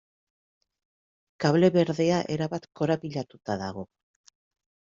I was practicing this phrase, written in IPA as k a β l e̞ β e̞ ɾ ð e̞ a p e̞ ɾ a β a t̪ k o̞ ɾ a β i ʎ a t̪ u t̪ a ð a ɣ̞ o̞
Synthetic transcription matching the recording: k a β l e̞ β e̞ ɾ ð e̞ a ʔ e̞ ɾ a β a t̪ k o̞ ɾ a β i ʎ a t̪ u t̪ a ð a ɣ̞ o̞